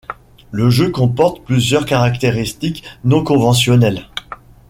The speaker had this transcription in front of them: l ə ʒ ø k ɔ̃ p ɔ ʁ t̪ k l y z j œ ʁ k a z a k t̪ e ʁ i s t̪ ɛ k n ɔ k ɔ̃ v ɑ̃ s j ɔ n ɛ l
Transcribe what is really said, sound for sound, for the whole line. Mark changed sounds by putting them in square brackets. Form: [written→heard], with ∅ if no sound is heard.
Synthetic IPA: l ə ʒ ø k ɔ̃ p ɔ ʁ t̪ [k→p] l y z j œ ʁ k a [z→ʁ] a k t̪ e ʁ i s t̪ [ɛ→i] k n [ɔ→ɔ̃] k ɔ̃ v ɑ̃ s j ɔ n ɛ l